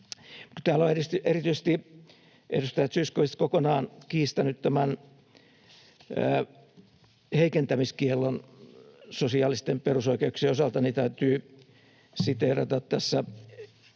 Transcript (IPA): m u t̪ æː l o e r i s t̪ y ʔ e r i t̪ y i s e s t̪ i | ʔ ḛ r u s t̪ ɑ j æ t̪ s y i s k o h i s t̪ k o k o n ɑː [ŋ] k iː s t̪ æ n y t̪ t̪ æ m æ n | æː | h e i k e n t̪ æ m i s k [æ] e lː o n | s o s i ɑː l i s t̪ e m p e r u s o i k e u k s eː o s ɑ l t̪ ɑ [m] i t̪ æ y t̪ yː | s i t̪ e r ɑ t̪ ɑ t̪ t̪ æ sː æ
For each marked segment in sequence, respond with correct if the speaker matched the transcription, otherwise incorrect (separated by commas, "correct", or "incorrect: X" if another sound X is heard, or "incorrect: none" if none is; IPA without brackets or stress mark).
incorrect: n, incorrect: i, incorrect: n